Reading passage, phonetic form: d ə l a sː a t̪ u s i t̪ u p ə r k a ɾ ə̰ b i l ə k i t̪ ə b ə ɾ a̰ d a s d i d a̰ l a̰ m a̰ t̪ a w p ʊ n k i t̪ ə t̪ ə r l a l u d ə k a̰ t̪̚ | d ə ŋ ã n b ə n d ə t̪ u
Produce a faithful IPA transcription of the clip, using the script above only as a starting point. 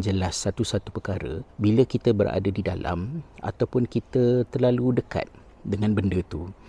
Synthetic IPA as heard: d͡ʒ ə l a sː a t̪ u s a t̪ u p ə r k a ɾ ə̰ b i l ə k i t̪ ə b ə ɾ a̰ d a d i d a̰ l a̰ m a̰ t̪ a w p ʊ n k i t̪ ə t̪ ə r l a l u d ə k a̰ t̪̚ | d ə ŋ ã n b ə n d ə t̪ u